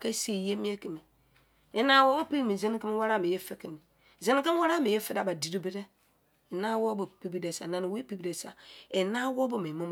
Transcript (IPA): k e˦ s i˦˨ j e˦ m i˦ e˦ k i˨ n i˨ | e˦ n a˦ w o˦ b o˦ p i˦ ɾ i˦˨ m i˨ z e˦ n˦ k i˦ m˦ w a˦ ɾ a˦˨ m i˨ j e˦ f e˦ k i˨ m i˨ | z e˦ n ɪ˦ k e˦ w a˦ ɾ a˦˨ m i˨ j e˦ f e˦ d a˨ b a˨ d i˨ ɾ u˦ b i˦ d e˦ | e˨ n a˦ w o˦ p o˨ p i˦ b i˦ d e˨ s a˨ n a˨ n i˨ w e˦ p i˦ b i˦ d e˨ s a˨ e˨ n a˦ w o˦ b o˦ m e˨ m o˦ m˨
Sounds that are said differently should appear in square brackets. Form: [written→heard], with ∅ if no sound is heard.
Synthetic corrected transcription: k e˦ s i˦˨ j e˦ m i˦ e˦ k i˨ [n→m] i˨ | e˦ n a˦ w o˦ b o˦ p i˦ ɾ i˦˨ m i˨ z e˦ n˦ k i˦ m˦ w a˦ ɾ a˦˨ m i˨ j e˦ f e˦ k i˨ m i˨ | z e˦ n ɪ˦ k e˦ w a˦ ɾ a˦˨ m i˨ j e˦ f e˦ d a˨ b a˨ d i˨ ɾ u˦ b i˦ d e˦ | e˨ n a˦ w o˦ [p→b] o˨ p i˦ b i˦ d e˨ s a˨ n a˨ n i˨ w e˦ p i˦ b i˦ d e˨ s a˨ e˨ n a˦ w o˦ b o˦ m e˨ m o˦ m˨